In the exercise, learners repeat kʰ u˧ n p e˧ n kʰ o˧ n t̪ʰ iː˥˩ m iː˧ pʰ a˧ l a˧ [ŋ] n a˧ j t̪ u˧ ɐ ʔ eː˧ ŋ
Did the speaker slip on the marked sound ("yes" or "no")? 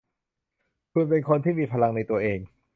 no